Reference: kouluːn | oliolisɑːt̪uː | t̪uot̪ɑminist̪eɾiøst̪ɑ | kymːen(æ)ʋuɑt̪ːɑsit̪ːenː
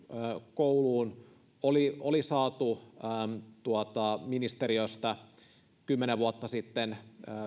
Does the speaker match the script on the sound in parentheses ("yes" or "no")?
no